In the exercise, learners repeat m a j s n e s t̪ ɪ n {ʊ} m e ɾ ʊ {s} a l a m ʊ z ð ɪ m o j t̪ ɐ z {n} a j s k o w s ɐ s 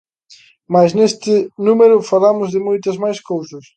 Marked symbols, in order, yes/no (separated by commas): no, no, no